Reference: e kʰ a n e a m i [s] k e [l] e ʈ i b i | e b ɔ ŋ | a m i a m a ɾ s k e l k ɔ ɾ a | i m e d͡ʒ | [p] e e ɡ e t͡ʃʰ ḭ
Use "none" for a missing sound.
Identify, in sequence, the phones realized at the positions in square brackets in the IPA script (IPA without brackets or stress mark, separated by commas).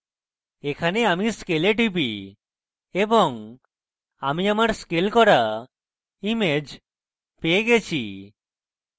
s, l, p